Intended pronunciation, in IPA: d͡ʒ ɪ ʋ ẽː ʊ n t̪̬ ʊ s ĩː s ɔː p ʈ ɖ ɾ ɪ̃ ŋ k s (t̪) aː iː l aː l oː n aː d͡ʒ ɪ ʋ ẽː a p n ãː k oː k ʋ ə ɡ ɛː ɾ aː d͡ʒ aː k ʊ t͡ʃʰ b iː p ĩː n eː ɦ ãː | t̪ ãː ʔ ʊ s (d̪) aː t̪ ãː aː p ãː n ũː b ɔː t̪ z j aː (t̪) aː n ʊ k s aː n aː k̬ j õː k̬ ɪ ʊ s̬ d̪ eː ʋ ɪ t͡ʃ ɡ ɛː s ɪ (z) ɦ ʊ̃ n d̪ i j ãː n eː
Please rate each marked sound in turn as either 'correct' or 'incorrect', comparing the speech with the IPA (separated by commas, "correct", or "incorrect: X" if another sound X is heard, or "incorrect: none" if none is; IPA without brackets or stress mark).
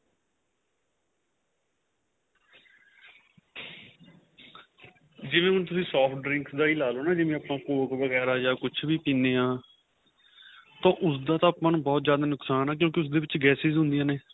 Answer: incorrect: d̪, correct, incorrect: d̪, correct